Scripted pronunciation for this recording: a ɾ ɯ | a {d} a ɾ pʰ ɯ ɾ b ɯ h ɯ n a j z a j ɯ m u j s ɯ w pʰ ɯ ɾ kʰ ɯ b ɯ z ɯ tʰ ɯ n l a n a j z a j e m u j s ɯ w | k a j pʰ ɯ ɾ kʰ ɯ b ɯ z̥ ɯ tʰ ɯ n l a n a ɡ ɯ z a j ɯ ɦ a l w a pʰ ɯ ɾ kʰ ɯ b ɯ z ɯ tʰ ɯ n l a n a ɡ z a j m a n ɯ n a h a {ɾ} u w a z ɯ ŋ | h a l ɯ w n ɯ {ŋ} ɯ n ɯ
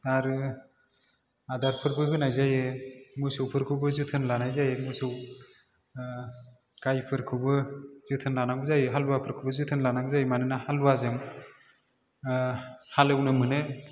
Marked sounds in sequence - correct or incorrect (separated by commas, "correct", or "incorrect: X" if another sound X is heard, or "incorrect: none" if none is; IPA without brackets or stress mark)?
correct, incorrect: l, incorrect: m